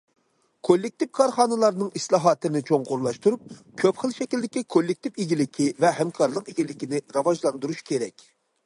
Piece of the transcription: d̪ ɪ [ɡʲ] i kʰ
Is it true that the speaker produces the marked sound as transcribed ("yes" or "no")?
no